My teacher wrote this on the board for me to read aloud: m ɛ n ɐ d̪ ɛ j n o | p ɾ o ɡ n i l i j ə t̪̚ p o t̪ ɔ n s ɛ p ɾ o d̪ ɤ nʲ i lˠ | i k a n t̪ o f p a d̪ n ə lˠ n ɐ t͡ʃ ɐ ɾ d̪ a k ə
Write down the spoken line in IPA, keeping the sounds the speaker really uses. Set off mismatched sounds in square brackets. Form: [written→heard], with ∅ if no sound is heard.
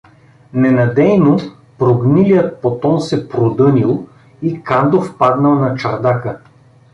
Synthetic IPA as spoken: [m→n] ɛ n ɐ d̪ ɛ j n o | p ɾ o ɡ n i l i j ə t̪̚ p o t̪ ɔ n s ɛ p ɾ o d̪ ɤ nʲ i lˠ | i k a n [t̪→d̪] o f p a d̪ n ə lˠ n ɐ t͡ʃ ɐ ɾ d̪ a k ə